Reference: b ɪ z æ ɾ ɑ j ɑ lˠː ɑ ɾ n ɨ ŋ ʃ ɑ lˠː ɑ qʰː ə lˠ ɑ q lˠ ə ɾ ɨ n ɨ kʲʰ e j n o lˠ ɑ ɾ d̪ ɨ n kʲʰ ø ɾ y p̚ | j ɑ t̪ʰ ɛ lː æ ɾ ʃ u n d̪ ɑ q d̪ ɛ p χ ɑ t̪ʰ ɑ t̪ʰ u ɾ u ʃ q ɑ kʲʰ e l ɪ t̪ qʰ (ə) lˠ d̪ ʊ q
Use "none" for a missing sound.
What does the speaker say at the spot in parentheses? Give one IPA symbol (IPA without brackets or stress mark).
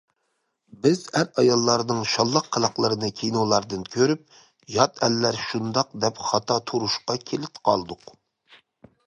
ɑ